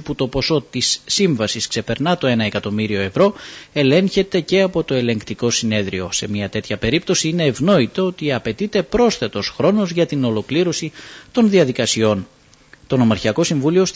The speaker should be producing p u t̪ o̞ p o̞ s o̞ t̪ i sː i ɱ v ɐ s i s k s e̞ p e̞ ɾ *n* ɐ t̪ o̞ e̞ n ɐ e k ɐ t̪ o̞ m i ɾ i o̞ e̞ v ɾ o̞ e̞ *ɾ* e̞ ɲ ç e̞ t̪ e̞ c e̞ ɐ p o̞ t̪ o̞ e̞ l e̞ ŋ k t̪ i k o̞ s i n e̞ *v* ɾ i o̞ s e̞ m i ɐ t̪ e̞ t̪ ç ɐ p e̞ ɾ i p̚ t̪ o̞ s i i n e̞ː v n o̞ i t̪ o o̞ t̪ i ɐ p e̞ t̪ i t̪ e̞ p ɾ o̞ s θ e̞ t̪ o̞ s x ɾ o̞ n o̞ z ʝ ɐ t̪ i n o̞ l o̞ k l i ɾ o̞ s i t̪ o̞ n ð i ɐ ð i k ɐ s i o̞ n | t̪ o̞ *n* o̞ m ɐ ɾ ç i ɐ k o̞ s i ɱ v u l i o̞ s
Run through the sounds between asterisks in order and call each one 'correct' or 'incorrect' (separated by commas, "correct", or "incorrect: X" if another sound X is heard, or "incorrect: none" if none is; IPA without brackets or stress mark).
correct, incorrect: l, incorrect: ð, correct